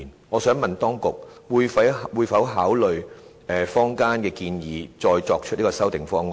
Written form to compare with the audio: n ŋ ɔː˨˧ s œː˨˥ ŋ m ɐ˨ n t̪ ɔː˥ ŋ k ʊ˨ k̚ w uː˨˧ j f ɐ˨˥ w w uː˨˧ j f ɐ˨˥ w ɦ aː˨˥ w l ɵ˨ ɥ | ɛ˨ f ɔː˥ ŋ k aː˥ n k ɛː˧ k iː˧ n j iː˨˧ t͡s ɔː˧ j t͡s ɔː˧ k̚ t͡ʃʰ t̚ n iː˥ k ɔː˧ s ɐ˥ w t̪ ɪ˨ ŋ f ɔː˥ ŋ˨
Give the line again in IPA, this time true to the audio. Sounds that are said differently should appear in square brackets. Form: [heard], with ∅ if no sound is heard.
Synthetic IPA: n ŋ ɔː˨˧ s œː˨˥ ŋ m ɐ˨ n t̪ ɔː˥ ŋ k ʊ˨ k̚ w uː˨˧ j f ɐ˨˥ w w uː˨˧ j f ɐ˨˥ w ɦ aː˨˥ w l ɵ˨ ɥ | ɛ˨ f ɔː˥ ŋ k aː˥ n k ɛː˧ k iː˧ n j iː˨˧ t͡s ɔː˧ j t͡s ɔː˧ k̚ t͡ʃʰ t̚ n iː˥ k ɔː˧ s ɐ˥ w t̪ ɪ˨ ŋ f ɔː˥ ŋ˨